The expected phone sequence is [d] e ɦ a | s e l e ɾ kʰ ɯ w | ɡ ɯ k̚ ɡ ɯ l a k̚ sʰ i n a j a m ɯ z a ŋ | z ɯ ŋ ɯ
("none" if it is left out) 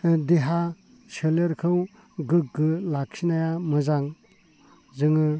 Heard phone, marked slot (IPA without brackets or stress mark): d